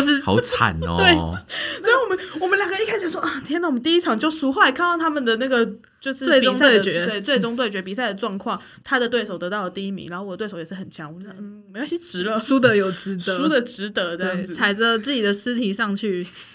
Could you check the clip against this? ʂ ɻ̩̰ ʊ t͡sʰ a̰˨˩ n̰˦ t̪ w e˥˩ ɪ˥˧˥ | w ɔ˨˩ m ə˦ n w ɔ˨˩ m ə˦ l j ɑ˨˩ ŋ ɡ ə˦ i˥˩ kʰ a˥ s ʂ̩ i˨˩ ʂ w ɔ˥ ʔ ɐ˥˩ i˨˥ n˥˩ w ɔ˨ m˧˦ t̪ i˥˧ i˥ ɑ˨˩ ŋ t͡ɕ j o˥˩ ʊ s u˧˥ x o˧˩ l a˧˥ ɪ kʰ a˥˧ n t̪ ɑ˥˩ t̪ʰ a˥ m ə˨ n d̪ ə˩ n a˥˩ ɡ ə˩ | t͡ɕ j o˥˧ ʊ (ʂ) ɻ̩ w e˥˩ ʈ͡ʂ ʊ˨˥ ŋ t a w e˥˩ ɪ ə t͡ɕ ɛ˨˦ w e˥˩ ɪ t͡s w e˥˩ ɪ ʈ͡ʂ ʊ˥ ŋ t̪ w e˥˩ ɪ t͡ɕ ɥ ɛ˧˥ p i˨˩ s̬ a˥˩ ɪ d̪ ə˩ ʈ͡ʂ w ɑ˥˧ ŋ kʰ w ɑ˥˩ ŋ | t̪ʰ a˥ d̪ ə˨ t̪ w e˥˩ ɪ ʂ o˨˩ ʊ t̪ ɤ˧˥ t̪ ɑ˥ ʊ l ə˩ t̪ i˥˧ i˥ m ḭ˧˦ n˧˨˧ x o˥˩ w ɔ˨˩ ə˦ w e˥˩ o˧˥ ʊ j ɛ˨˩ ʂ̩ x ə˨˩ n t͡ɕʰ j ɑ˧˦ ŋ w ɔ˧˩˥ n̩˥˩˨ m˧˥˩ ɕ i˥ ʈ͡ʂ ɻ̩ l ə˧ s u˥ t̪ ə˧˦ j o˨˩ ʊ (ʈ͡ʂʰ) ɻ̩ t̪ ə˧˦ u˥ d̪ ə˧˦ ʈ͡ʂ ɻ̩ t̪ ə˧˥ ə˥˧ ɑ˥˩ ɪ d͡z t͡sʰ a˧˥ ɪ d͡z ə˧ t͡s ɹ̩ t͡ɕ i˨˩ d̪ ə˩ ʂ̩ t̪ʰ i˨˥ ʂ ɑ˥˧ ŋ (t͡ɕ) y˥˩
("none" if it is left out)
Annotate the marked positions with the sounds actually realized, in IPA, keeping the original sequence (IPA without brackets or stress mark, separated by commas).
ʂ, ʈ͡ʂ, t͡ɕʰ